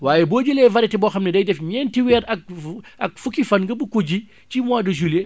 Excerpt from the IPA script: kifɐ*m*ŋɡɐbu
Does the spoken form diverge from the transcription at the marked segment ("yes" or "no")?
yes